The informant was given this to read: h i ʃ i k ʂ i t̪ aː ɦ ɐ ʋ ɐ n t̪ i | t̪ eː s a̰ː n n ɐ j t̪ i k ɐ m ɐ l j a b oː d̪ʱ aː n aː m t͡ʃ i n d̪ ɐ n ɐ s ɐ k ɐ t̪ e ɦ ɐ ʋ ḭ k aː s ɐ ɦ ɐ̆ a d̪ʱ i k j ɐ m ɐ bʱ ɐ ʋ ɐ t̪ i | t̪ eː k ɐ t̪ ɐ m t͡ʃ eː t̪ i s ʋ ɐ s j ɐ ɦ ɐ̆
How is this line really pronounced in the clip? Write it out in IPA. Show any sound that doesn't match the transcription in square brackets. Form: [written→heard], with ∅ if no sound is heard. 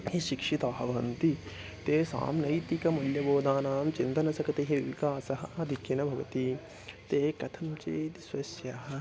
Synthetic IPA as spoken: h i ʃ i k ʂ i t̪ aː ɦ ɐ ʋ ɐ n t̪ i | t̪ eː s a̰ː [n→m] n ɐ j t̪ i k ɐ m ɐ l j [a→ɐ] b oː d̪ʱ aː n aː m t͡ʃ i n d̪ ɐ n ɐ s ɐ k ɐ t̪ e ɦ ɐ ʋ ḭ k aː s ɐ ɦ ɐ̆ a d̪ʱ i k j ɐ [m→n] ɐ bʱ ɐ ʋ ɐ t̪ i | t̪ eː k ɐ [t̪→t̪ʰ] ɐ m t͡ʃ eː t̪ i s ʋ ɐ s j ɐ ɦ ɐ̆

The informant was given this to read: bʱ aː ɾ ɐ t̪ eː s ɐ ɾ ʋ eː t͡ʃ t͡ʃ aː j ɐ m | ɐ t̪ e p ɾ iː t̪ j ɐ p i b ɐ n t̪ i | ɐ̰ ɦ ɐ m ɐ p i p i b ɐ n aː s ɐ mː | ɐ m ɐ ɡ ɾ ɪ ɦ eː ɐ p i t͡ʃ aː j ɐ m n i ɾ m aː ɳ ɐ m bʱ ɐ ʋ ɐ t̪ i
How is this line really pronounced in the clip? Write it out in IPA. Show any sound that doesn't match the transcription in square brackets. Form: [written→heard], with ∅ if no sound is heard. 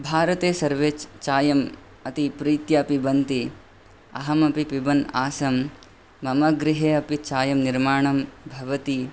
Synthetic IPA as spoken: bʱ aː ɾ ɐ t̪ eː s ɐ ɾ ʋ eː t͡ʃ t͡ʃ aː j ɐ m | ɐ t̪ [e→i] p ɾ iː t̪ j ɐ p i b ɐ n t̪ i | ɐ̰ ɦ ɐ m ɐ p i p i b ɐ n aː s ɐ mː | ɐ m ɐ ɡ ɾ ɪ ɦ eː ɐ p i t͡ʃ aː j ɐ m n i ɾ m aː ɳ ɐ m bʱ ɐ ʋ ɐ t̪ i

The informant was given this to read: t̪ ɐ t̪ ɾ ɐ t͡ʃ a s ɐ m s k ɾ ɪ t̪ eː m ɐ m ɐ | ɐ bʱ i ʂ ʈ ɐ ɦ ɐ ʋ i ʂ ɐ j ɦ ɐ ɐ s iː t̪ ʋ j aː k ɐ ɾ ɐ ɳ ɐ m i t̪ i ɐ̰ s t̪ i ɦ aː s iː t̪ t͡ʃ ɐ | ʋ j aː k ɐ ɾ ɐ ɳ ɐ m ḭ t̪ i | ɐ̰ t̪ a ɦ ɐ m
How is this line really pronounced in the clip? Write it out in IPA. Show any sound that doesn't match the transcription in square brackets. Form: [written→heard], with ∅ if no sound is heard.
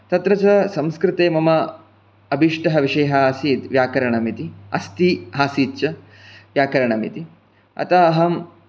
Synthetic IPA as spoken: t̪ ɐ t̪ ɾ ɐ t͡ʃ [a→ɐ] s ɐ m s k ɾ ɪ t̪ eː m ɐ m ɐ | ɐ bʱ i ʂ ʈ ɐ ɦ ɐ ʋ i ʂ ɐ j ɦ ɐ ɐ s iː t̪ ʋ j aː k ɐ ɾ ɐ ɳ ɐ m i t̪ i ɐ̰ s t̪ i ɦ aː s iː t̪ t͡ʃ ɐ | ʋ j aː k ɐ ɾ ɐ ɳ ɐ m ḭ t̪ i | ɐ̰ t̪ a ɦ ɐ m

